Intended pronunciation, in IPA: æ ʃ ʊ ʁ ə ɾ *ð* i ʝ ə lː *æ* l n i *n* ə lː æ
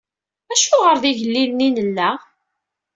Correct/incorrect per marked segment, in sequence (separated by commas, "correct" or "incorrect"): correct, incorrect, correct